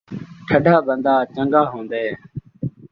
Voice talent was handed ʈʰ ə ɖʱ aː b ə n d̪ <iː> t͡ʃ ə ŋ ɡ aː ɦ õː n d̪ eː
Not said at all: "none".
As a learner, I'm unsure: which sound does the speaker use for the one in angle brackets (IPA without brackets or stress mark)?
aː